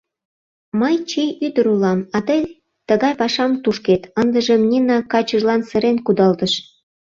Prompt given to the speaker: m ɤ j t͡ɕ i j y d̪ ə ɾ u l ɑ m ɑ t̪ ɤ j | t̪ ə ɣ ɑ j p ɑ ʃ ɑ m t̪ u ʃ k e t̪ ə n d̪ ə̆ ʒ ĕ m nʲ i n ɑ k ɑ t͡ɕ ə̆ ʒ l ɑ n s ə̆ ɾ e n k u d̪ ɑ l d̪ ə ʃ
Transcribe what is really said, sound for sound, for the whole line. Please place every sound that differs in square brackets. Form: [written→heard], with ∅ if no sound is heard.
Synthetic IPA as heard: m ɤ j t͡ɕ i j y d̪ ə ɾ u l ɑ m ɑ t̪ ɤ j | t̪ ə ɣ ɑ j p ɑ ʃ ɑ m t̪ u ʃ k e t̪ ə n d̪ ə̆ ʒ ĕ m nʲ i n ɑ k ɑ t͡ɕ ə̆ ʒ l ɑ n s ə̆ ɾ e n k u d̪ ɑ l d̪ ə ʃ